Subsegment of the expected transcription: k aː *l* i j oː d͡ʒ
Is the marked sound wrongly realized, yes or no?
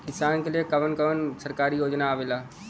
yes